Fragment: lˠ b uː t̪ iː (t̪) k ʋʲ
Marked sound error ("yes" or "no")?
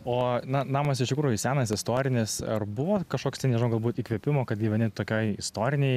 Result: yes